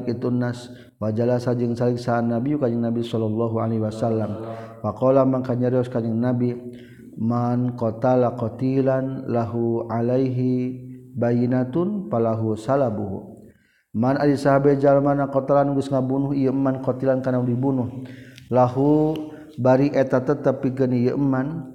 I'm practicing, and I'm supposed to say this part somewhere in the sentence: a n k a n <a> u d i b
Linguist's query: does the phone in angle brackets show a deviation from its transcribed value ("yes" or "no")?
no